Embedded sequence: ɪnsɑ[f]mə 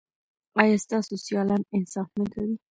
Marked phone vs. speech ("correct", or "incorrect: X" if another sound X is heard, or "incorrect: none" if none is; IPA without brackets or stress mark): correct